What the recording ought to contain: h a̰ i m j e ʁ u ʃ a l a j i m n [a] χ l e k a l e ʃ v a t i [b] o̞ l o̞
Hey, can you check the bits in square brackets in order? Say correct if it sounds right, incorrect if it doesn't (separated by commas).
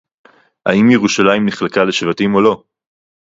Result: incorrect, incorrect